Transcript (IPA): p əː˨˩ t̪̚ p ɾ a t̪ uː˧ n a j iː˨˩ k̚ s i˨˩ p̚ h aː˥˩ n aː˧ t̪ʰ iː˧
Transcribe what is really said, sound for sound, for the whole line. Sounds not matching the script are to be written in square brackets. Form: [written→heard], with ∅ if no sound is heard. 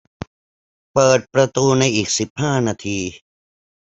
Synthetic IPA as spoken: p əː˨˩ t̪̚ p ɾ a t̪ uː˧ n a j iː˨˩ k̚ s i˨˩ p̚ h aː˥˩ n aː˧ t̪ʰ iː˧